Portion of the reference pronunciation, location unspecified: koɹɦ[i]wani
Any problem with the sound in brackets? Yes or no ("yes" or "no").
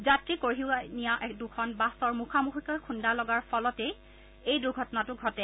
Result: no